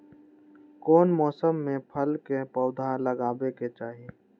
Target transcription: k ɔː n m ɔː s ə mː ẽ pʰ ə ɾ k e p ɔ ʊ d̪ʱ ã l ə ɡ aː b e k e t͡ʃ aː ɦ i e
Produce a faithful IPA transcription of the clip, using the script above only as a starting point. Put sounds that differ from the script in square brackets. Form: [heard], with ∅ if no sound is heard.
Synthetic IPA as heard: k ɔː n m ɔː s ə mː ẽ pʰ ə [l] k e p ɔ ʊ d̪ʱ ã l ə ɡ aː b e k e t͡ʃ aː ɦ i e